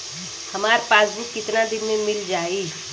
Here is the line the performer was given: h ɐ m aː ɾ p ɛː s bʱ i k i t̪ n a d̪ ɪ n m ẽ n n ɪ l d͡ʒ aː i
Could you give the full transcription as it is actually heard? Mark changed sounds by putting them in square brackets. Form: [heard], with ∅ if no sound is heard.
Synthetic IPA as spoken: h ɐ m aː ɾ p [aː] s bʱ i k [ɪ] t̪ n a d̪ ɪ n m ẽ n [m] ɪ l d͡ʒ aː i

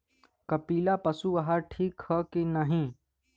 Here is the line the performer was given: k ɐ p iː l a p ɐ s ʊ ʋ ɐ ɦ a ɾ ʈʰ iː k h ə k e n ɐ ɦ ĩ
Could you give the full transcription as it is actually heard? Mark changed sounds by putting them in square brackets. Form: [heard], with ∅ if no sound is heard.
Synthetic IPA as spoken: k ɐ p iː l a p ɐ s [u] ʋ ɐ ɦ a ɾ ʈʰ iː k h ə k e n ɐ ɦ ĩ

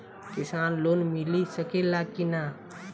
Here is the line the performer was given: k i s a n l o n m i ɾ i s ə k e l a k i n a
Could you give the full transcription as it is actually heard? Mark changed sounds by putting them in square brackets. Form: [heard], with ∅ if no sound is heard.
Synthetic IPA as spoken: k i s a n l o n m i [l] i s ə k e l a k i n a

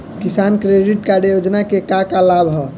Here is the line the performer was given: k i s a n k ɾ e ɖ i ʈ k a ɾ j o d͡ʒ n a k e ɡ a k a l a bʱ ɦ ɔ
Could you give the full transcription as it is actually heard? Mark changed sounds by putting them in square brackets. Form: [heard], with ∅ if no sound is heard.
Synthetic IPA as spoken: k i s a n k ɾ e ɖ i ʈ k a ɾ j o d͡ʒ n a k e [k] a k a l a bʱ ɦ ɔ

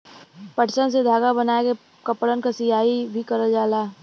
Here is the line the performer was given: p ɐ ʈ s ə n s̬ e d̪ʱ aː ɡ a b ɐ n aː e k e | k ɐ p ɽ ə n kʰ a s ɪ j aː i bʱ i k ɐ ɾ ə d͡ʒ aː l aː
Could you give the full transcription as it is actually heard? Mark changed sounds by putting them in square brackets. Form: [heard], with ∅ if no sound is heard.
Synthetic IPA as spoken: p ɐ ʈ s ə n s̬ e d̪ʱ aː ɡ a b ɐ n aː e k e | k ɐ p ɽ ə n [k] a s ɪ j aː i bʱ i k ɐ ɾ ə d͡ʒ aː l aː

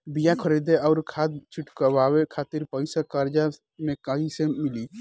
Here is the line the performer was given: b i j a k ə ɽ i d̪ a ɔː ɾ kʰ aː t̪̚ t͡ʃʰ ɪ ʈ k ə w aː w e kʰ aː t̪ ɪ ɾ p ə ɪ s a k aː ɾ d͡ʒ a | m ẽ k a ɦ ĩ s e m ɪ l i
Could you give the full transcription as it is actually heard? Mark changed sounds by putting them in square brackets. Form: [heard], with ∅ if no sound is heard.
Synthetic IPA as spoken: b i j a [kʰ] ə [ɾ] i d̪ [e] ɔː ɾ kʰ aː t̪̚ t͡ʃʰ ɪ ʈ k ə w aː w e kʰ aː t̪ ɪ ɾ p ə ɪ s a k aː ɾ d͡ʒ a | m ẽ k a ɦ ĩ s e m ɪ l i

